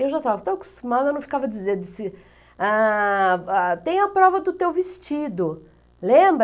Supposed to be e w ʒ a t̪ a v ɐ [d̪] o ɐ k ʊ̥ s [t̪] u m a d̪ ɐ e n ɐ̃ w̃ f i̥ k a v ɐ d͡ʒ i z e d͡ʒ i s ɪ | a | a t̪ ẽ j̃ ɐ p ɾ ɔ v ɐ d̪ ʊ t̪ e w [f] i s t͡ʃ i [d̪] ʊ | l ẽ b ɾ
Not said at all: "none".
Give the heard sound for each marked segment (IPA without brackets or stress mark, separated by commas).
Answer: t̪, t̪, v, d̪